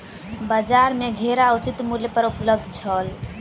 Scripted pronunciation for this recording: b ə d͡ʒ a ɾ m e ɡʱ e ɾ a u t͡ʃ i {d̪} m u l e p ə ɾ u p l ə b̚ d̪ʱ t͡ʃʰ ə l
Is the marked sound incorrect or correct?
incorrect